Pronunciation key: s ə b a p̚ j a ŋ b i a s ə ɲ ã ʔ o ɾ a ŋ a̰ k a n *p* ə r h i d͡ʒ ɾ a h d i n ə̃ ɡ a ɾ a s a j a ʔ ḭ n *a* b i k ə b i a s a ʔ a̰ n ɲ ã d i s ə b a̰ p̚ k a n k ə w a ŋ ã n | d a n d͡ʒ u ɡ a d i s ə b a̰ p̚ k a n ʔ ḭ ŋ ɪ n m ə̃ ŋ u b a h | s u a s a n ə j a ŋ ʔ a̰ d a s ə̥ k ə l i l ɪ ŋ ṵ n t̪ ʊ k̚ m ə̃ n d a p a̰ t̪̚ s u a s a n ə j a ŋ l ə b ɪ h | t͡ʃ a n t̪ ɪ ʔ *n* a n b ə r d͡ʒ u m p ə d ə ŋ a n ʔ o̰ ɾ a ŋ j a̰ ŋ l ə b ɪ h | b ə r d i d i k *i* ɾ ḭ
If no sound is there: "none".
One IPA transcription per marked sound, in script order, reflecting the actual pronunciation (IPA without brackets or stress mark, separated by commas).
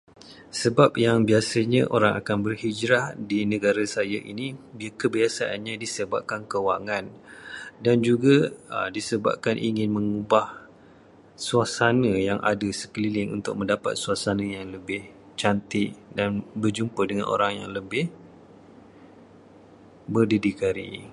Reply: b, i, d, a